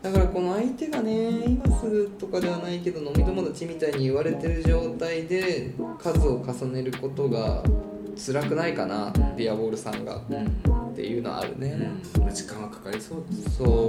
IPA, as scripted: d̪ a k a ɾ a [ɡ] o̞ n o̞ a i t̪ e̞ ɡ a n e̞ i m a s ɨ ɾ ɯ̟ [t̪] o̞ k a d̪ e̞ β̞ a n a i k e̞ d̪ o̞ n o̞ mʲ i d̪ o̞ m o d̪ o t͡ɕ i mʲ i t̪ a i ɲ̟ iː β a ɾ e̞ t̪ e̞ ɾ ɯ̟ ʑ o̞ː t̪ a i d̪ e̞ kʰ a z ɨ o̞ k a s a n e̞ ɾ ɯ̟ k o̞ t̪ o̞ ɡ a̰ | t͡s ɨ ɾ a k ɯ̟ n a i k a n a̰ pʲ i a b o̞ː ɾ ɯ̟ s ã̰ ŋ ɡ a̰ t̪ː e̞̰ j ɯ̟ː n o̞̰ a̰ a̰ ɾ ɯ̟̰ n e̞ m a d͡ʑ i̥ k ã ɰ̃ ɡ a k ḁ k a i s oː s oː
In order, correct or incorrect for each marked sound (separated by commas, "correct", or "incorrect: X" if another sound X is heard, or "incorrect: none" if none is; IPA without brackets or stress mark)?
incorrect: k, correct